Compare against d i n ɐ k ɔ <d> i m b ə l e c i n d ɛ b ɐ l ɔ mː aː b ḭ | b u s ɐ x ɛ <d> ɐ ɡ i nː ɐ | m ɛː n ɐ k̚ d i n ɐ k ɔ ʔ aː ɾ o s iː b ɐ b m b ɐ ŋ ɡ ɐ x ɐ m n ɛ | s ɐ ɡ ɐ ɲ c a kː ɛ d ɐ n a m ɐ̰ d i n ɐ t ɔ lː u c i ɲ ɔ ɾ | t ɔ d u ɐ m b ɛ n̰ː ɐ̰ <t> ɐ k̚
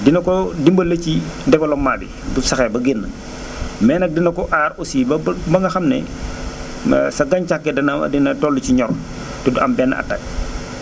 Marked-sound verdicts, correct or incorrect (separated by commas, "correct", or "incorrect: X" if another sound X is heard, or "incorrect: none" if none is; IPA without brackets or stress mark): correct, incorrect: b, correct